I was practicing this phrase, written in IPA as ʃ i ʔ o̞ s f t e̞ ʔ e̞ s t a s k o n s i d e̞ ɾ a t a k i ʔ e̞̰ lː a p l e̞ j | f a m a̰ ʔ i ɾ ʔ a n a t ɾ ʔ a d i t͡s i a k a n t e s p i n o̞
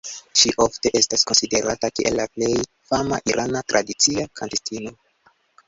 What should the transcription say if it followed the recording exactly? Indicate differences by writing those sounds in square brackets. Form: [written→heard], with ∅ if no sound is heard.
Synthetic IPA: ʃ i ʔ o̞ [s→∅] f t e̞ ʔ e̞ s t a s k o n s i d e̞ ɾ a t a k i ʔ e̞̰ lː a p l e̞ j | f a m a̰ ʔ i ɾ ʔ a n a t ɾ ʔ a d i t͡s i a k a n t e s [p→t] i n o̞